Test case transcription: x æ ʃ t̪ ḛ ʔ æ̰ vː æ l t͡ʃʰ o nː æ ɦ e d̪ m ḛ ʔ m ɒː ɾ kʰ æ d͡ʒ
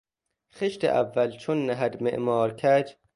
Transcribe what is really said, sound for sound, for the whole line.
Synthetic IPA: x e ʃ t̪ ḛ ʔ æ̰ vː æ l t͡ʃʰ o nː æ ɦ æ d̪ m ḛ ʔ m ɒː ɾ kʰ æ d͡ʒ